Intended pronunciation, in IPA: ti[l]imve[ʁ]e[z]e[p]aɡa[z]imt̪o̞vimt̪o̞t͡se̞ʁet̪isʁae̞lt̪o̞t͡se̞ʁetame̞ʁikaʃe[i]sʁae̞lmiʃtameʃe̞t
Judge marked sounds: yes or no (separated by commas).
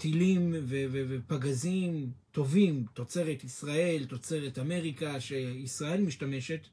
yes, no, no, yes, yes, yes